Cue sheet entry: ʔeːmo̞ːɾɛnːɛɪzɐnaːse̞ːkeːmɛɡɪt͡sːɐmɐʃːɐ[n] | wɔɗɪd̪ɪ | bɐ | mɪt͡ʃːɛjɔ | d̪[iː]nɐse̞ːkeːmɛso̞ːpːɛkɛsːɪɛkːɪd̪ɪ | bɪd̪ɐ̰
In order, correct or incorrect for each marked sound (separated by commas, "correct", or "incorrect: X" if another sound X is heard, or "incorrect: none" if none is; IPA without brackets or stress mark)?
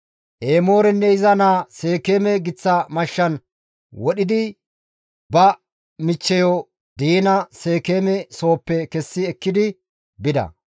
correct, correct